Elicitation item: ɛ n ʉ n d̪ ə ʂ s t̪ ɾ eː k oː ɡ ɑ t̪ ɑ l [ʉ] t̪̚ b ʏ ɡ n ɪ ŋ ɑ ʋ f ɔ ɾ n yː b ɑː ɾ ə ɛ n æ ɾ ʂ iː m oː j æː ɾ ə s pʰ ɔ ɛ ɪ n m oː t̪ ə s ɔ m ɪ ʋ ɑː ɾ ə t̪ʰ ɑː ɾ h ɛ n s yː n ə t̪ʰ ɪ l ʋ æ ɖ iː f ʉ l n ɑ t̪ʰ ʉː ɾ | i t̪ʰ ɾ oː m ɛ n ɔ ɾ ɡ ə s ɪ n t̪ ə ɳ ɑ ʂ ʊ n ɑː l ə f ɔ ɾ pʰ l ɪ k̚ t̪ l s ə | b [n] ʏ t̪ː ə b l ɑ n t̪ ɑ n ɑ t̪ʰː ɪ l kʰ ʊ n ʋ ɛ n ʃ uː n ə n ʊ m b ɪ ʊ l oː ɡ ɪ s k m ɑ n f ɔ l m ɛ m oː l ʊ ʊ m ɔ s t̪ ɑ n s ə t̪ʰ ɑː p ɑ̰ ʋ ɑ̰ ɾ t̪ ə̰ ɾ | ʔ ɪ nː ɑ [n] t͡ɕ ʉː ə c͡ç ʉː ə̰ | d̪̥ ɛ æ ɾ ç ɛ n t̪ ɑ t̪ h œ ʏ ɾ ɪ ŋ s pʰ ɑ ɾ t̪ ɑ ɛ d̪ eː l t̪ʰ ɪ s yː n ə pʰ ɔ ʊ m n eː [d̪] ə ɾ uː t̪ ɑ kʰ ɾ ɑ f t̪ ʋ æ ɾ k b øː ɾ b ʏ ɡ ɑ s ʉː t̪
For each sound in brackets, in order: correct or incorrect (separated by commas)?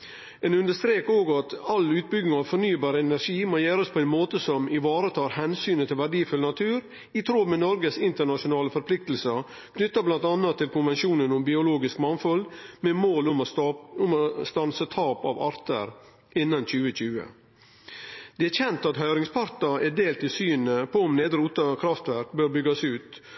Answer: incorrect, correct, correct, correct